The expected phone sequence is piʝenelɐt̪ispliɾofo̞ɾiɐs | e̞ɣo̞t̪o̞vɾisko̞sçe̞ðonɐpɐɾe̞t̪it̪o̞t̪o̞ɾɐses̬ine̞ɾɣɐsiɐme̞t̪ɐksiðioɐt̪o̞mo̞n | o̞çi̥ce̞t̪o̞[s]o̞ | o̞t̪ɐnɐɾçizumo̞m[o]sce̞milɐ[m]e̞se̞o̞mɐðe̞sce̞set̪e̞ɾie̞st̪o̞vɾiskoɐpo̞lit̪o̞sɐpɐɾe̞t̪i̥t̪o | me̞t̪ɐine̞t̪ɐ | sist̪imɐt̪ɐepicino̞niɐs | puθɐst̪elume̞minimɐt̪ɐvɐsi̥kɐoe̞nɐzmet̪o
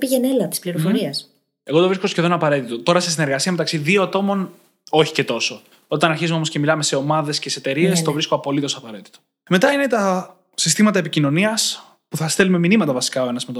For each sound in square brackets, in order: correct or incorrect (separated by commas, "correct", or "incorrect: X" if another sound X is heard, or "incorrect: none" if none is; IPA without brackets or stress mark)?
correct, correct, correct